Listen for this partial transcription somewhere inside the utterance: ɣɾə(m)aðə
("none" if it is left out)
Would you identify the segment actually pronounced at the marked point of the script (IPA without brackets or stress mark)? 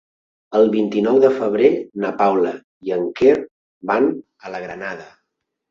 n